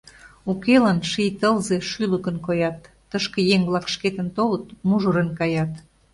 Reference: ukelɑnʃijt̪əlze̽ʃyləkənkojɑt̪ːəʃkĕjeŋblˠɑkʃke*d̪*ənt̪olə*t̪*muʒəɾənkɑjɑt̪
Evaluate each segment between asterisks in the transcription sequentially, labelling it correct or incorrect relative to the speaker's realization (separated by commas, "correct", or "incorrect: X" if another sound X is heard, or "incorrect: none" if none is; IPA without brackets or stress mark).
incorrect: t̪, correct